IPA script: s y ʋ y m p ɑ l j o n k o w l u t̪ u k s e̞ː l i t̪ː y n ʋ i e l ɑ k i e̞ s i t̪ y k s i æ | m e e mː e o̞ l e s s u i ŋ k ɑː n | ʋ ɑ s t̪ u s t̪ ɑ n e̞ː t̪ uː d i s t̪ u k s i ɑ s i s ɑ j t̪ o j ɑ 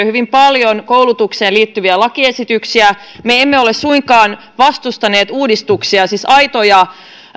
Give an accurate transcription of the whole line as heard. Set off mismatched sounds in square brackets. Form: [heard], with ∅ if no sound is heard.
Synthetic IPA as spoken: [h] y ʋ [i] m p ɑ l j o n k o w l u t̪ u k s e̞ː l [iː] t̪ː y [∅] ʋ i [æ] l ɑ k i e̞ s i t̪ y k s i æ | m e e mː e o̞ l e s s u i ŋ k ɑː n | ʋ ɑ s t̪ u s t̪ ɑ n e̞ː t̪ uː d i s t̪ u k s i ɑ s i s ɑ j t̪ o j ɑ